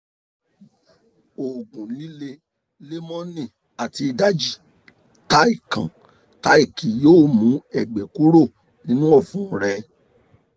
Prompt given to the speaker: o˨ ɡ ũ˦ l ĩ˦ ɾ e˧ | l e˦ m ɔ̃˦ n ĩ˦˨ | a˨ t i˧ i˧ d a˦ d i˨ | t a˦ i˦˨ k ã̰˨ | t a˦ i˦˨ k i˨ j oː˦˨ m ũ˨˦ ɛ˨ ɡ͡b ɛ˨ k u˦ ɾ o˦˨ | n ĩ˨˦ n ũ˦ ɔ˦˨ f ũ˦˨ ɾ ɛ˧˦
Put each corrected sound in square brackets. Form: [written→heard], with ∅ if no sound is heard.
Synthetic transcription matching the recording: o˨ ɡ [ũ˦→ũ˨] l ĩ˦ [ɾ→l] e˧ | l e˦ m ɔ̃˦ n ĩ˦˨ | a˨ t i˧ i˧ d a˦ [d→d͡ʒ] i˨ | t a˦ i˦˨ k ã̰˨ | t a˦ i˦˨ k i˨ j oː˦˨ m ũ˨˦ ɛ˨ ɡ͡b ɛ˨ k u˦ ɾ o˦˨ | n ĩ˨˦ n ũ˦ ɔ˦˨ f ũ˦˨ ɾ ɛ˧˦

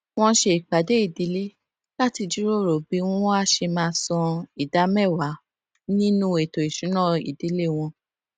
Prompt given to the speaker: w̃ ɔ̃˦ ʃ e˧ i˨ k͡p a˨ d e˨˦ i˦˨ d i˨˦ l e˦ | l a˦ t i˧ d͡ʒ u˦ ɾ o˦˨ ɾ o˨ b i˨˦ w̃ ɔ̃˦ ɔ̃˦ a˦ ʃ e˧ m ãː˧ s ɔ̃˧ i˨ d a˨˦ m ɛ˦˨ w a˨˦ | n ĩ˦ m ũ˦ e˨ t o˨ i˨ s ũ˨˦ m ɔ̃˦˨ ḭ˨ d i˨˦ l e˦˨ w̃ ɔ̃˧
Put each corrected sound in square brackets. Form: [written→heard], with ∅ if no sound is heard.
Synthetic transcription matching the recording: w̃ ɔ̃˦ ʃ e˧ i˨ k͡p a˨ d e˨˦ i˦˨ d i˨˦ l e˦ | l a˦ t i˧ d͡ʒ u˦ ɾ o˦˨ ɾ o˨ b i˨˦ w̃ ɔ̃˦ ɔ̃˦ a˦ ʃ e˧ m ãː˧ s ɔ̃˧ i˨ d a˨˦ m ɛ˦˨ w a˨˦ | n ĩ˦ [m→n] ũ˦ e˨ t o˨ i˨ [s→ʃ] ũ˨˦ [m→n] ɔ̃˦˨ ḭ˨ d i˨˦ l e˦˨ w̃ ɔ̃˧

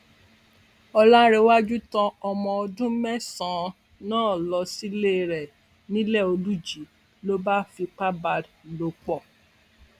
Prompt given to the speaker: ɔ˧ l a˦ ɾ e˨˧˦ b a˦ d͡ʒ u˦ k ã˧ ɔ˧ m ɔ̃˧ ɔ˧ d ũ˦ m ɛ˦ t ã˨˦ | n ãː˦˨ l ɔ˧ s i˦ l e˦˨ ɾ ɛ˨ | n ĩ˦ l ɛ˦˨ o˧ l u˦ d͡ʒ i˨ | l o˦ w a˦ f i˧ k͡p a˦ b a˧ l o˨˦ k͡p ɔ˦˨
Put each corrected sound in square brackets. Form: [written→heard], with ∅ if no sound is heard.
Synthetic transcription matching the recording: ɔ˧ l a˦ ɾ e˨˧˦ [b→w] a˦ d͡ʒ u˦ [k→t] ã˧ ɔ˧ m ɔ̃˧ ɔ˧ d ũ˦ m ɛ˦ [t→s] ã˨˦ | n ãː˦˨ l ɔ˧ s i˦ l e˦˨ ɾ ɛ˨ | n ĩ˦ l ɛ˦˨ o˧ l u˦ d͡ʒ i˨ | l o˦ [w→b] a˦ f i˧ k͡p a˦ b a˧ l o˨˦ k͡p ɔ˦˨

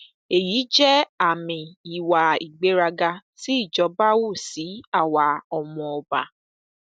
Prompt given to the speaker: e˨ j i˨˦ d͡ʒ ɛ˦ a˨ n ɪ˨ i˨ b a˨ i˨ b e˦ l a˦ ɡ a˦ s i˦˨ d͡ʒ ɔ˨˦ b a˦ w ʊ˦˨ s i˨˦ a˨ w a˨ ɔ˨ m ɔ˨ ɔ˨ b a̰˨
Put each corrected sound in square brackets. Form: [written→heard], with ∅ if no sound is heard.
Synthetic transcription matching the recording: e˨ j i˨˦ d͡ʒ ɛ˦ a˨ [n→m] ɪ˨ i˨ [b→w] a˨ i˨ [b→ɡ͡b] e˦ [l→ɾ] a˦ ɡ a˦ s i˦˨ d͡ʒ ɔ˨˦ b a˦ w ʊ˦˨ s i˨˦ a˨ w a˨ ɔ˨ m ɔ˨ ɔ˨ b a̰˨

